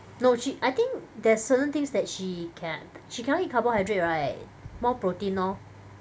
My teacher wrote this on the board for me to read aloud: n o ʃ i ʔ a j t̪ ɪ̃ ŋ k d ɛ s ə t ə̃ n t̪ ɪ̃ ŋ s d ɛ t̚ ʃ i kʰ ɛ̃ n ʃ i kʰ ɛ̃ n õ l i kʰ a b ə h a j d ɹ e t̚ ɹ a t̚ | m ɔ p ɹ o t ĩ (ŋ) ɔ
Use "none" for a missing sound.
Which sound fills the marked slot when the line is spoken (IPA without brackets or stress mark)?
n